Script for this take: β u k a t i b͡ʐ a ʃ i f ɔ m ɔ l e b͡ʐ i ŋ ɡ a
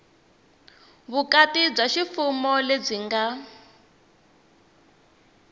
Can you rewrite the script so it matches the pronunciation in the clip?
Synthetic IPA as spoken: β u k a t i b͡ʐ a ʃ i f u m ɔ l e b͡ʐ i ŋ ɡ a